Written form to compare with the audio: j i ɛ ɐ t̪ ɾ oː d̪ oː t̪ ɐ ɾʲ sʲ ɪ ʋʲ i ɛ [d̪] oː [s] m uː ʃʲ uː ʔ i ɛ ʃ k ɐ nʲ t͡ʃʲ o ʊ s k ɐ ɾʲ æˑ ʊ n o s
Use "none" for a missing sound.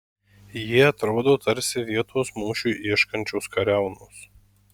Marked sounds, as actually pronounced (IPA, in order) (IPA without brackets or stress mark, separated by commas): t̪, s